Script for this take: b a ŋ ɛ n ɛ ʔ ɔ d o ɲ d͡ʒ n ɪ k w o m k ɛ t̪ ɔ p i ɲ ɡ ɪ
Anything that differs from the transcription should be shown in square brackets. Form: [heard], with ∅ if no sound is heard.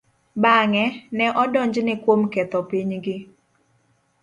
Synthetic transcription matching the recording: b a ŋ ɛ n ɛ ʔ ɔ d [ɔ] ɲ d͡ʒ n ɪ k w o m k ɛ t̪ ɔ p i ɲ ɡ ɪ